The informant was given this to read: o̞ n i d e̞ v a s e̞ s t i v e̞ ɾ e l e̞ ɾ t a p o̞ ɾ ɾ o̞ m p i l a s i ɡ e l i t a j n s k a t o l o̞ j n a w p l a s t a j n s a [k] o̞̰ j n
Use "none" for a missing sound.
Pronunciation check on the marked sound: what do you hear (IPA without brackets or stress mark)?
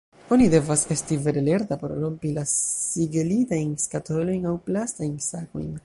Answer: k